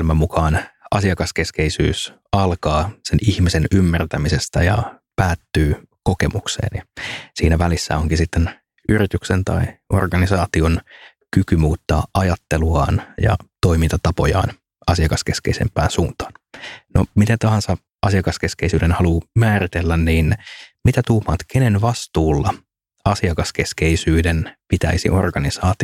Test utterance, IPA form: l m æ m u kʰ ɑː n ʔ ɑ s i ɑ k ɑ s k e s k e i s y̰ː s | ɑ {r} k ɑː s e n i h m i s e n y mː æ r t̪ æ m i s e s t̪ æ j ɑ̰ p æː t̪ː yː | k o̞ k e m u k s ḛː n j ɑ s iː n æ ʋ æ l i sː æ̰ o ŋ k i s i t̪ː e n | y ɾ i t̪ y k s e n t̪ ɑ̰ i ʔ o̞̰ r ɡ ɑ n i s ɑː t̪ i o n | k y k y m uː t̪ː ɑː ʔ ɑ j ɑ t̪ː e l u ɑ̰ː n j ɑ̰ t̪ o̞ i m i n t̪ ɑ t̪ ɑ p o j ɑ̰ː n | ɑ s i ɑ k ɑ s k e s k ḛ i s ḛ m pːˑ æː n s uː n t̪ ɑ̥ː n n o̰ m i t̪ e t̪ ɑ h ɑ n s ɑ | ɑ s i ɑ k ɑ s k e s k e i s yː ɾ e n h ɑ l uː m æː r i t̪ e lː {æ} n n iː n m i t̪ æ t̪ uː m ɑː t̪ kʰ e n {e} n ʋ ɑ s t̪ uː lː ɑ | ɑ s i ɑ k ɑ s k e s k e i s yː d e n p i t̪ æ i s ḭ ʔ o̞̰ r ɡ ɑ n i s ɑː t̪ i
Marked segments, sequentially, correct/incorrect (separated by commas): incorrect, correct, correct